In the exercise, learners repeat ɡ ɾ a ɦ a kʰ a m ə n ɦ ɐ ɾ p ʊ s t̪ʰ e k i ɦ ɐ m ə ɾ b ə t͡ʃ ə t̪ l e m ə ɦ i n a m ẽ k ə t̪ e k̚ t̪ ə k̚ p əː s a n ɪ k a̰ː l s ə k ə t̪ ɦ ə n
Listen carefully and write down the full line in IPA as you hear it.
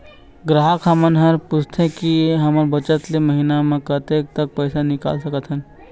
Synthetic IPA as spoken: ɡ ɾ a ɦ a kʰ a m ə n ɦ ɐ ɾ p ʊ s t̪ʰ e k i ɦ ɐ m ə ɾ b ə t͡ʃ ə t̪ l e m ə ɦ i n a m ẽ k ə t̪ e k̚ t̪ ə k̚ p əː s a n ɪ k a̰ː l s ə k ə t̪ ɦ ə n

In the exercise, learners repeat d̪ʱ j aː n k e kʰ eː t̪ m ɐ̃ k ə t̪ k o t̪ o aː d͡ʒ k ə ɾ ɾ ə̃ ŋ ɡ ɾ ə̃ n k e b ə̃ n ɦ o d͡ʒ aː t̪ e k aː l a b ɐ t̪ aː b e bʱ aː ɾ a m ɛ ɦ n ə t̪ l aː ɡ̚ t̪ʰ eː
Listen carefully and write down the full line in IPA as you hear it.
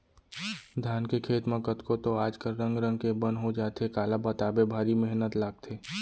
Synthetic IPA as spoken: d̪ʱ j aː n k e kʰ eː t̪ m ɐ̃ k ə t̪ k o t̪ o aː d͡ʒ k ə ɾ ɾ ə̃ ŋ ɡ ɾ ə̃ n k e b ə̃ n ɦ o d͡ʒ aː t̪ e k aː l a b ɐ t̪ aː b e bʱ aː ɾ i m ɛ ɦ n ə t̪ l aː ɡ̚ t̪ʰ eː

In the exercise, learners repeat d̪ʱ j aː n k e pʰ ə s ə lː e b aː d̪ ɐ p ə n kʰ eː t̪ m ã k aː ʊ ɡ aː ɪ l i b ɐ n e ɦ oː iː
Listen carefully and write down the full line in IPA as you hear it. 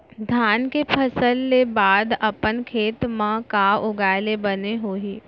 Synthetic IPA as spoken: d̪ʱ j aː n k e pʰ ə s ə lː e b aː d̪ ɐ p ə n kʰ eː t̪ m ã k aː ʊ ɡ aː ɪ l e b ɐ n e ɦ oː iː

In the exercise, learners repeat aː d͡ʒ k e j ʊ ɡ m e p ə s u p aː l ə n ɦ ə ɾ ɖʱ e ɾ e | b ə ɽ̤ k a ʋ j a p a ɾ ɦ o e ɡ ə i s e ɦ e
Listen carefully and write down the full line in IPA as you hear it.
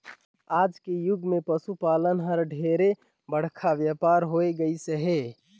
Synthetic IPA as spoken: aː d͡ʒ k e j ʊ ɡ m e p ə s u p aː l ə n ɦ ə ɾ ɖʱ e ɾ e | b ə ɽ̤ kʰ a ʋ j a p a ɾ ɦ o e ɡ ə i s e ɦ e

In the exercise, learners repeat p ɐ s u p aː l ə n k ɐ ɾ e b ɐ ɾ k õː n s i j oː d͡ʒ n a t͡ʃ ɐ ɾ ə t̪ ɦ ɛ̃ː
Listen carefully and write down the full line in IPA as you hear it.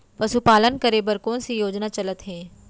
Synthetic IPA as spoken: p ɐ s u p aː l ə n k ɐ ɾ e b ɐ ɾ k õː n s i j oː d͡ʒ n a t͡ʃ ɐ l ə t̪ ɦ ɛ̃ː

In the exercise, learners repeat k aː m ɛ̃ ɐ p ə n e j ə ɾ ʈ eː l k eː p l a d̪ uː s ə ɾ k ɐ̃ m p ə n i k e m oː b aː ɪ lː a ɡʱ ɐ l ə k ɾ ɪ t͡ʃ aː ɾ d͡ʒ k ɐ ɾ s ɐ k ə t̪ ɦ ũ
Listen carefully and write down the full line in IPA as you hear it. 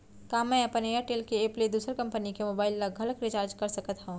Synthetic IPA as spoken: k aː m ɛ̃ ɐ p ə n e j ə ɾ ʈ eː l k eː p l e d̪ uː s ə ɾ k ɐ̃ m p ə n i k e m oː b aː ɪ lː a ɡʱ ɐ l ə k ɾ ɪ t͡ʃ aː ɾ d͡ʒ k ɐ ɾ s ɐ k ə t̪ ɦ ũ

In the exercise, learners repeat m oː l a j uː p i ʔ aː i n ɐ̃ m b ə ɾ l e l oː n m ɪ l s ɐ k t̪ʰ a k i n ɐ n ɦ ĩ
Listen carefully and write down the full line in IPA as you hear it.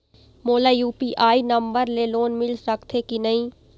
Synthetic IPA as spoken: m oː l a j uː p i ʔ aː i n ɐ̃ m b ə ɾ l e l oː n m ɪ l s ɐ k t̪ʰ e k i n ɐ ɦ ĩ

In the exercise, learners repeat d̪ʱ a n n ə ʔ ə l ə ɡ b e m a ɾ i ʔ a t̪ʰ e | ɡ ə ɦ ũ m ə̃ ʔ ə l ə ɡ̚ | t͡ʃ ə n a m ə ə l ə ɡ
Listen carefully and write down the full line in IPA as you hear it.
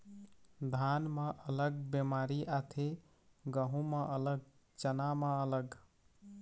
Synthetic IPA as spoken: d̪ʱ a n m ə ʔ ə l ə ɡ b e m a ɾ i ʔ a t̪ʰ e | ɡ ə ɦ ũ m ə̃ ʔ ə l ə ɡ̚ | t͡ʃ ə n a m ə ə l ə ɡ

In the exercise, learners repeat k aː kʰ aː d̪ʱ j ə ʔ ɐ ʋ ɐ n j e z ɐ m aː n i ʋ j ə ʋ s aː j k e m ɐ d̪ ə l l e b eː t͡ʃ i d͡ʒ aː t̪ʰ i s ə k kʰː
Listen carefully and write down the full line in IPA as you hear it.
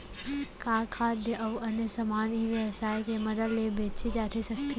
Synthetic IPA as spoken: k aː kʰ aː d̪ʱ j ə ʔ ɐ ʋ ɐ n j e s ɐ m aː n i ʋ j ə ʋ s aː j k e m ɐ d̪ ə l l e b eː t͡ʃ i d͡ʒ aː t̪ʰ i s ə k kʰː

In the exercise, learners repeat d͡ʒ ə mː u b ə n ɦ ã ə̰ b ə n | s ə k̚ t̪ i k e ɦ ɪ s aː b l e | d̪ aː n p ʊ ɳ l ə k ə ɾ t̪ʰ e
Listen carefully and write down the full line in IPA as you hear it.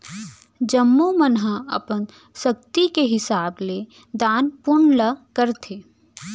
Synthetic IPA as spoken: d͡ʒ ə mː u m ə n ɦ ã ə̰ p ə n | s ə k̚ t̪ i k e ɦ ɪ s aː b l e | d̪ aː n p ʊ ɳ l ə k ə ɾ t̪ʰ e

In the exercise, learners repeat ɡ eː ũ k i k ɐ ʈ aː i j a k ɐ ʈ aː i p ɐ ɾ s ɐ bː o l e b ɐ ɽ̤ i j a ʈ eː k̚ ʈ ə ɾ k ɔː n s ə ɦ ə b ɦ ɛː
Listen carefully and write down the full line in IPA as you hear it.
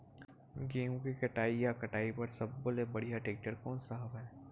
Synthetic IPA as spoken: ɡ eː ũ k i k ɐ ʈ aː i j a k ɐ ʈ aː i p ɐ ɾ s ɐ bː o l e b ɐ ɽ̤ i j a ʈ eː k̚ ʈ ə ɾ k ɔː n s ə ɦ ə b ɦ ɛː

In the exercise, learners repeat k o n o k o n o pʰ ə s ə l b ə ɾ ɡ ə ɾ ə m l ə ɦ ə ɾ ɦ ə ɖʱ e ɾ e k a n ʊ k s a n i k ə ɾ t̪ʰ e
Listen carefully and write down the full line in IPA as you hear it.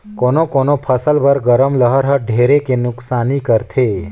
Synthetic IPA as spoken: k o n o k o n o pʰ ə s ə l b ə ɾ ɡ ə ɾ ə m l ə ɦ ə ɾ ɦ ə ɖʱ e ɾ e k e n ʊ k s a n i k ə ɾ t̪ʰ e

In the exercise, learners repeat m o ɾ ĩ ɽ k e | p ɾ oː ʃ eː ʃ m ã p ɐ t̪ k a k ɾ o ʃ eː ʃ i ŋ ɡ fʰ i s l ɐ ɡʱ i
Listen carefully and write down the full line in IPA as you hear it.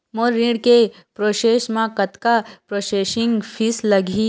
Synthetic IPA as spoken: m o ɾ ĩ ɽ k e | p ɾ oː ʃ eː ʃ m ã k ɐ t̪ k a p ɾ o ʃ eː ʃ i ŋ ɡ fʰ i s l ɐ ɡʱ i

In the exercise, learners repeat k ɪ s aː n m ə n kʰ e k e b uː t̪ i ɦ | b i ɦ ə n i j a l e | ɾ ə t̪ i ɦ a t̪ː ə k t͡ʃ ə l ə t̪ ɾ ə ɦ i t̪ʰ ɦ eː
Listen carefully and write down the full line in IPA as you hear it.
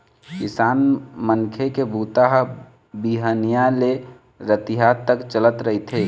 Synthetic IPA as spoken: k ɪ s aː n m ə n kʰ e k e b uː t̪ a ɦ | b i ɦ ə n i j a l e | ɾ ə t̪ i ɦ a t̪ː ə k t͡ʃ ə l ə t̪ ɾ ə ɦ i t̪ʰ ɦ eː

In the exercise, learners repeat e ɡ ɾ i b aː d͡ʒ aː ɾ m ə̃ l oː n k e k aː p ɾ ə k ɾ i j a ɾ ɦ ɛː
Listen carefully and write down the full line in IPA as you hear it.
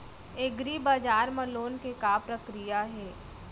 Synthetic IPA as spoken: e ɡ ɾ i b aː d͡ʒ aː ɾ m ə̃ l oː n k e k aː p ɾ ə k ɾ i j a ɦ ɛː

